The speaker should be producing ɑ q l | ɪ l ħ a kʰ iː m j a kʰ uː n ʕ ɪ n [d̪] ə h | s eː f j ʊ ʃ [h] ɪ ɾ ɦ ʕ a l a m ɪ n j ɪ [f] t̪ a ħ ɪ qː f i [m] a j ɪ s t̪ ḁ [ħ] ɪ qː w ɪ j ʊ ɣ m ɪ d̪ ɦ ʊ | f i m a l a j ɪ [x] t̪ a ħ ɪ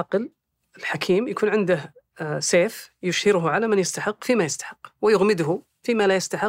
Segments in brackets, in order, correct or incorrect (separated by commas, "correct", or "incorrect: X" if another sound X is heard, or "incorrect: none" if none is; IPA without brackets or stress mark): correct, correct, incorrect: s, correct, correct, incorrect: s